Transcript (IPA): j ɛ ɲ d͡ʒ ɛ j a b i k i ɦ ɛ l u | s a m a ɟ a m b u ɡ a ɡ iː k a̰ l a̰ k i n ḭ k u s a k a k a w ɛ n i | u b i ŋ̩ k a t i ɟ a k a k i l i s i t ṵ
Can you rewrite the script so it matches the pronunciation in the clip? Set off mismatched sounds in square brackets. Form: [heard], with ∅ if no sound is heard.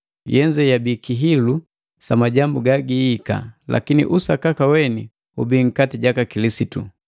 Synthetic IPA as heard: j ɛ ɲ d͡ʒ ɛ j a b i k i ɦ [i] l u | s a m a ɟ a m b u ɡ a ɡ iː k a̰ l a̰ k i n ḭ [ʔ] u s a k a k a w ɛ n i | u b i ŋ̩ k a t i ɟ a k a k i l i s i t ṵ